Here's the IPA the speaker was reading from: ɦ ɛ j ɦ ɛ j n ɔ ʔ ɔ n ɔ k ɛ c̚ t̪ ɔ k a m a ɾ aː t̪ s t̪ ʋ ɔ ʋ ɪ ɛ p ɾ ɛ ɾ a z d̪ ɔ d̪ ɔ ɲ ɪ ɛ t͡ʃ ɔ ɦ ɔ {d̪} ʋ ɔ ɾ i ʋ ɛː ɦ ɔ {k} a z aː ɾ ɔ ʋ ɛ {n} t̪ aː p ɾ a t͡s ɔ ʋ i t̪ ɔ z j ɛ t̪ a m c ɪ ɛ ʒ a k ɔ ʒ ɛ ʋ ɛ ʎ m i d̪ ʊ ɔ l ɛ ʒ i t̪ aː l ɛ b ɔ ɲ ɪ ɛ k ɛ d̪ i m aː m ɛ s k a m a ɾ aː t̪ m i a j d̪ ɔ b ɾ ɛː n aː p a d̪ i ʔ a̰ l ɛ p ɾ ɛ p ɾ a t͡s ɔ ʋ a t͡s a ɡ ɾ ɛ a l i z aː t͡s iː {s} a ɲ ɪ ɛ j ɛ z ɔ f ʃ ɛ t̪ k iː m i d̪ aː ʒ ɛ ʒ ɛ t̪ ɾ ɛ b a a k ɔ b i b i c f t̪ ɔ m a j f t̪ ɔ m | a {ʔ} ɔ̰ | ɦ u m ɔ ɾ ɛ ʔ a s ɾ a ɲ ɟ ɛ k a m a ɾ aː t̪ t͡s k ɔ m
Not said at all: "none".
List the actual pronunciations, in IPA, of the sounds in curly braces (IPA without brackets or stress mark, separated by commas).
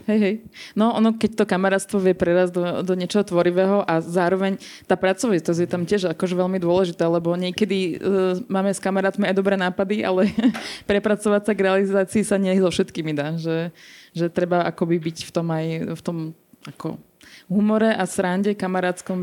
t̪, ʔ, ɲ, s, k